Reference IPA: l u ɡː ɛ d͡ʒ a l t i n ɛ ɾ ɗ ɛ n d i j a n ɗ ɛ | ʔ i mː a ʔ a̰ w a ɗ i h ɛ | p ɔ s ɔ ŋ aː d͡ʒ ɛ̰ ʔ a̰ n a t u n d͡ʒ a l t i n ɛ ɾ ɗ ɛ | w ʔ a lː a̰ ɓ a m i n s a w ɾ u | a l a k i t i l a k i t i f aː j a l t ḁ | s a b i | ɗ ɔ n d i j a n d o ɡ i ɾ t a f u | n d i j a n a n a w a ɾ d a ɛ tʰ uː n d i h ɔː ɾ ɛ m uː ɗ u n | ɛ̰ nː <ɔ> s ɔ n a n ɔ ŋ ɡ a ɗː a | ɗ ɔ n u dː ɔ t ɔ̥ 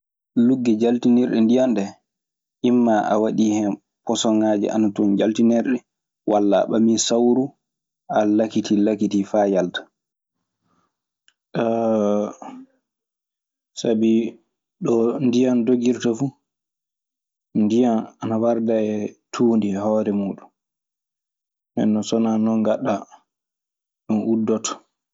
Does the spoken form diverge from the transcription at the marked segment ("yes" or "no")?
no